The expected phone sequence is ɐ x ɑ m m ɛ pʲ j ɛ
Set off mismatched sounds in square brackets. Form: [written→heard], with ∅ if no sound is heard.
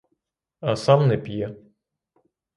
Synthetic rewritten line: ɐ [x→s] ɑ m [m→n] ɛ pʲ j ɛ